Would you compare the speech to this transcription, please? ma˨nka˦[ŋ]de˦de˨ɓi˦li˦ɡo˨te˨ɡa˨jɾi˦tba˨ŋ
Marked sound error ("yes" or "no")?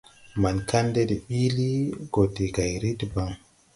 yes